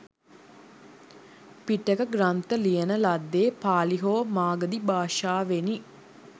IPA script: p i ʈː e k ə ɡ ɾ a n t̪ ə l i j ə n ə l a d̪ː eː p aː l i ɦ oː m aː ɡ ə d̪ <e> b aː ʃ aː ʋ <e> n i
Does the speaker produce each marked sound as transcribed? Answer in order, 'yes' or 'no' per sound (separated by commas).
no, yes